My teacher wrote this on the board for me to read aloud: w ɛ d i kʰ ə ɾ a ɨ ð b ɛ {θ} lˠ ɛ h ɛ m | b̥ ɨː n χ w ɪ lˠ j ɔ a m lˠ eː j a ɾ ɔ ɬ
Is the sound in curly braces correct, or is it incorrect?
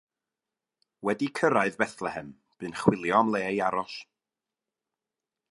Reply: correct